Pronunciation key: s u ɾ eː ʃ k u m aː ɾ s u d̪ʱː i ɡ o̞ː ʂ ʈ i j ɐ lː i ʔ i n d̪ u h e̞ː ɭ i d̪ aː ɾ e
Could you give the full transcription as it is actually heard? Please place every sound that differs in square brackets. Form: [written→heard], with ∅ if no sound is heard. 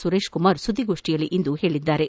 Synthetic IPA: s u ɾ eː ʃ k u m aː ɾ s u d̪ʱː i ɡ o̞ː ʂ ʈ i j ɐ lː i ʔ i n d̪ u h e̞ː ɭ i [d̪→d̪ː] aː ɾ e